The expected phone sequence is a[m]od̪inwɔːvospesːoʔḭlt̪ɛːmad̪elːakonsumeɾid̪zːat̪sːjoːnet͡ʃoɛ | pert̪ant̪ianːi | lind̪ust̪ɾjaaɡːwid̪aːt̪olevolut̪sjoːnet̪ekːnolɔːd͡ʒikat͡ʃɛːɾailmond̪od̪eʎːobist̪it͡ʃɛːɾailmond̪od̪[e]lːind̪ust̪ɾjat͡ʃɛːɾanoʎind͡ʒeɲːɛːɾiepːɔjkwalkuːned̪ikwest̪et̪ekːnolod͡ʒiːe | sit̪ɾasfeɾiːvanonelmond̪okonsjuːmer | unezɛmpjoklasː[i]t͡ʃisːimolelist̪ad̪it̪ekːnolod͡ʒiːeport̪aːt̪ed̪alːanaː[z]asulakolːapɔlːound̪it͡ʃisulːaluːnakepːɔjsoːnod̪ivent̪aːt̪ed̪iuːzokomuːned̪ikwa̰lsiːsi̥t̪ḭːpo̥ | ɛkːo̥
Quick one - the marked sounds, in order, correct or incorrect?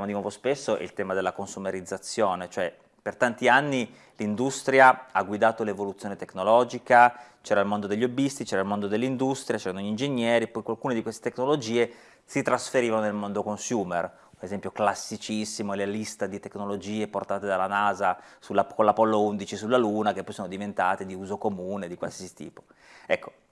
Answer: correct, correct, correct, correct

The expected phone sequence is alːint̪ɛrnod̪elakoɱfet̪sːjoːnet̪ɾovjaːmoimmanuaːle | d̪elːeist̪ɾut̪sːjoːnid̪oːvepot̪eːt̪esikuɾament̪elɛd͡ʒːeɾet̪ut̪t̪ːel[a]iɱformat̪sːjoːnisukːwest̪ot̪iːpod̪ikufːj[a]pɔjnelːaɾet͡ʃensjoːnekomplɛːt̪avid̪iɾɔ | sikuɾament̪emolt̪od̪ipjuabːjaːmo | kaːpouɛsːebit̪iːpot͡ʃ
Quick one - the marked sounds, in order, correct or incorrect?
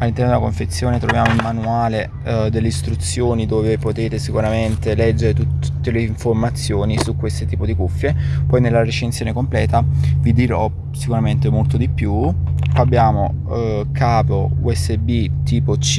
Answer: incorrect, incorrect

